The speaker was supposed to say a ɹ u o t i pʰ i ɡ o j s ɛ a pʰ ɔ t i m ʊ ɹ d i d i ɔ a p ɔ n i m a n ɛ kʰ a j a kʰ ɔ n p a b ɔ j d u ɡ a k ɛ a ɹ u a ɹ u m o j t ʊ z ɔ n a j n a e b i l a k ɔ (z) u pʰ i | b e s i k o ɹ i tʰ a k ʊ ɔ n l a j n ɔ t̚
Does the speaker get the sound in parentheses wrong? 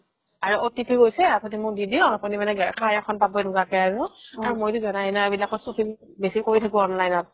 yes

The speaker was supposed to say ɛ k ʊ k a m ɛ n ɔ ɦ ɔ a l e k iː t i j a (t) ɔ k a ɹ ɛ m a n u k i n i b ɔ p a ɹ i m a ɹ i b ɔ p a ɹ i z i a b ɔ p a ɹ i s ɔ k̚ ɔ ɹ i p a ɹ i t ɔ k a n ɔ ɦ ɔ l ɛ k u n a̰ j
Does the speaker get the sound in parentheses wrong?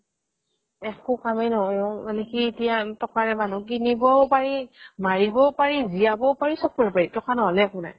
no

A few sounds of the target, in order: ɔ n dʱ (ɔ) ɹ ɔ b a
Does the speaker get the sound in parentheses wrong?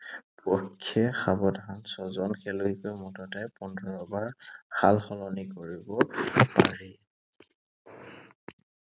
no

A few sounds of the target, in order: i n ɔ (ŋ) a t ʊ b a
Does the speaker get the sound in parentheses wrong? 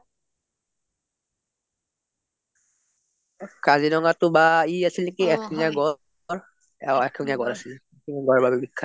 no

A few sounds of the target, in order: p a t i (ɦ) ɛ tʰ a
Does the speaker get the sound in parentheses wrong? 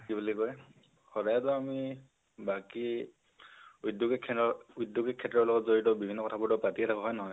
yes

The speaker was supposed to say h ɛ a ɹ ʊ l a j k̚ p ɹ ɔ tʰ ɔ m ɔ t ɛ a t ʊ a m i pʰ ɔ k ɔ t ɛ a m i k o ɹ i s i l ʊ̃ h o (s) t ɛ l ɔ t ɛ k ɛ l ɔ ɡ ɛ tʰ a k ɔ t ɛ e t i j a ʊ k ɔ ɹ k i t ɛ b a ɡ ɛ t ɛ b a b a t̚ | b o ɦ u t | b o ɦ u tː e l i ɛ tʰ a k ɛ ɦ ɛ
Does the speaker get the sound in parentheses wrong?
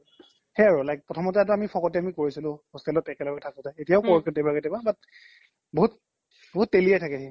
no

